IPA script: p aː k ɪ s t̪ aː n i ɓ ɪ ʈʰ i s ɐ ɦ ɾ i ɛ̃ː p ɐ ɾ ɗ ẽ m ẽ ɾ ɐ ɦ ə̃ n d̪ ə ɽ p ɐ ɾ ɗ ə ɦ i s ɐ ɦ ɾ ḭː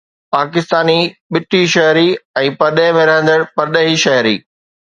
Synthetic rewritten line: p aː k ɪ s t̪ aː n i ɓ ɪ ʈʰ i ʃ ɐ ɦ ɾ i ɛ̃ː p ɐ ɾ ɗ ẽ m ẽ ɾ ɐ ɦ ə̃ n d̪ ə ɽ p ɐ ɾ ɗ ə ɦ i ʃ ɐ ɦ ɾ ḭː

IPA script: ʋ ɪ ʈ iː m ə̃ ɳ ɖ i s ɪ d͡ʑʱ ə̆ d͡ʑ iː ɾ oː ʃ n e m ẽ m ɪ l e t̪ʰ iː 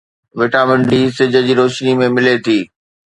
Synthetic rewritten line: ʋ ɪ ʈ aː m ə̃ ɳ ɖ i s ɪ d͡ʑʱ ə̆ d͡ʑ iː ɾ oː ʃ n i m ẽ m ɪ l e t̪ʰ iː

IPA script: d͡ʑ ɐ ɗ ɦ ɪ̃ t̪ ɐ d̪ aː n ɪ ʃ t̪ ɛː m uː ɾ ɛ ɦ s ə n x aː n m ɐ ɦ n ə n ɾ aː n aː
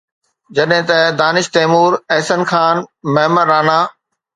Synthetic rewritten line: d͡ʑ ɐ ɗ ɦ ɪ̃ t̪ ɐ d̪ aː n ɪ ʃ t̪ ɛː m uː ɾ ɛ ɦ s ə n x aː n m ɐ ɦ m ə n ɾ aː n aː

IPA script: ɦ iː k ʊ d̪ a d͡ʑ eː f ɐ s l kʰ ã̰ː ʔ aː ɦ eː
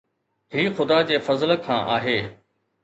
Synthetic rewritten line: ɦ iː x ʊ d̪ a d͡ʑ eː f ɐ z l kʰ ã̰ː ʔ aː ɦ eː

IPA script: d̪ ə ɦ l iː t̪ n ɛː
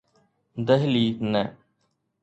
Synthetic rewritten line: d̪ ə ɦ l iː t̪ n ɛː

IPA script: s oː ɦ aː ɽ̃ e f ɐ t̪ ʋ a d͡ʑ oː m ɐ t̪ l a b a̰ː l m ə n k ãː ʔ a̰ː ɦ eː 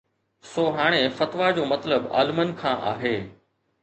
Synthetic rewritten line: s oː ɦ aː ɽ̃ e f ɐ t̪ ʋ a d͡ʑ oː m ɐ t̪ l ə b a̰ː l m ə n kʰ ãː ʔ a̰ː ɦ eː

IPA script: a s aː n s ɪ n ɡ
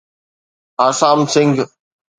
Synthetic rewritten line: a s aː m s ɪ ŋ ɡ

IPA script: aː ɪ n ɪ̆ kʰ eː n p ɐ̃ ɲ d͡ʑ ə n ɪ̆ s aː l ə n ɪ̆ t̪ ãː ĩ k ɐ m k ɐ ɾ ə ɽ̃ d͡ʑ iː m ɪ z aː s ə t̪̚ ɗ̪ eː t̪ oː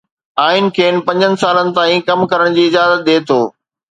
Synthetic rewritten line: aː ɪ n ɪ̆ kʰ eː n p ɐ̃ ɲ d͡ʑ ə n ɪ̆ s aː l ə n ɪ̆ t̪ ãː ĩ k ɐ m k ɐ ɾ ə ɽ̃ d͡ʑ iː ɪ z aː z ə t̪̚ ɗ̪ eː t̪ʰ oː

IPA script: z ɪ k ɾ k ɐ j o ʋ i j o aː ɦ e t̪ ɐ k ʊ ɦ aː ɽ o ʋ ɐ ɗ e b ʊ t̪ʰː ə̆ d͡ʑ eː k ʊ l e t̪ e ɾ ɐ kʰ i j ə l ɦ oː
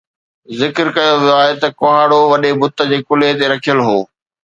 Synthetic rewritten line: z ɪ k ɾ k ɐ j o ʋ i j o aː ɦ e t̪ ɐ k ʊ ɦ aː ɽ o ʋ ɐ ɗ e b ʊ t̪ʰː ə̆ d͡ʑ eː k ʊ l e t̪ e ɾ ɐ kʰ i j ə l ɦ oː

